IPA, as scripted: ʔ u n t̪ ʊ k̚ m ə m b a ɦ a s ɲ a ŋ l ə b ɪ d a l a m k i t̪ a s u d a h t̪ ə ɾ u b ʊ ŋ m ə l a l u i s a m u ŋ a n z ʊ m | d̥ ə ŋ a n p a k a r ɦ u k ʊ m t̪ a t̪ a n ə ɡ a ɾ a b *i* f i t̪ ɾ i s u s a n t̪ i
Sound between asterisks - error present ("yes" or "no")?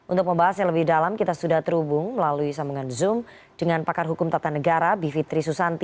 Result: no